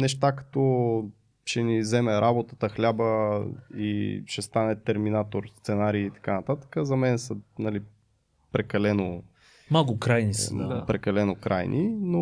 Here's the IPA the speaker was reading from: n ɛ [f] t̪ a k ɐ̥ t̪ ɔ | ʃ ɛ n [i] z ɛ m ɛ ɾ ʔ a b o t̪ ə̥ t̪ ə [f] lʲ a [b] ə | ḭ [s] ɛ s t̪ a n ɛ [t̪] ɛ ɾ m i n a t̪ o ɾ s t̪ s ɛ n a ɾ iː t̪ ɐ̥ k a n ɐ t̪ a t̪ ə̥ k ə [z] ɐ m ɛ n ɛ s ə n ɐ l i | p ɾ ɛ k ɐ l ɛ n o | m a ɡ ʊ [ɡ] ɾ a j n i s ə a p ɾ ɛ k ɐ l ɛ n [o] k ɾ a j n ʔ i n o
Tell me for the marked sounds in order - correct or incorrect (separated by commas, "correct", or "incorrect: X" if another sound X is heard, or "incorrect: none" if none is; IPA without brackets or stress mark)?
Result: incorrect: ʃ, correct, incorrect: x, correct, incorrect: ʃ, correct, correct, incorrect: k, correct